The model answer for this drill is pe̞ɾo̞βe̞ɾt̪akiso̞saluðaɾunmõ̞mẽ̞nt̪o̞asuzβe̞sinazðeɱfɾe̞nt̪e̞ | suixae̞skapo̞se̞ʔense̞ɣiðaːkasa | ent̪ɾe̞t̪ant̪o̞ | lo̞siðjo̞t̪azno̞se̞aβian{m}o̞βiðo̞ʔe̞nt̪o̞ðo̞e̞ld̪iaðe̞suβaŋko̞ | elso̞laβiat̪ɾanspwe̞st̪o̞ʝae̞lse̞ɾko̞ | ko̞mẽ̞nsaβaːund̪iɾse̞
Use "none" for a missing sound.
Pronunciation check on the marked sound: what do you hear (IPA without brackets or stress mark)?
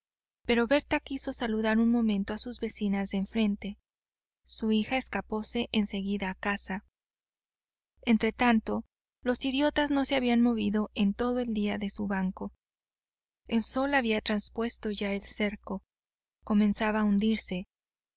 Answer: m